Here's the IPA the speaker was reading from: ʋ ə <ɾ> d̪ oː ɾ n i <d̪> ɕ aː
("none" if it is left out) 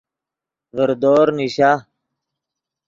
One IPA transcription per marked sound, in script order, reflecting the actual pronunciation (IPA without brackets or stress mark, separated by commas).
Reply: ɾ, none